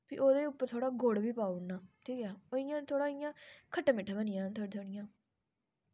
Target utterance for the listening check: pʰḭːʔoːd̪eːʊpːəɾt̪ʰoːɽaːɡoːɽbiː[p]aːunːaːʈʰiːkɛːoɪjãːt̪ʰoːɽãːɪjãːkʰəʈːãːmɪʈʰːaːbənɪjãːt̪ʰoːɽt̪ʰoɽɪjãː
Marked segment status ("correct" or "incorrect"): correct